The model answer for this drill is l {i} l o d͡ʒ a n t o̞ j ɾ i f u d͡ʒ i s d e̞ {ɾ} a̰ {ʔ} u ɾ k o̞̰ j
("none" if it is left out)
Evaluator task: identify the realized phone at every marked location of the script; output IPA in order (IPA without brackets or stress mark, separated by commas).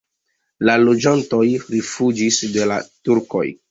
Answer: a, l, t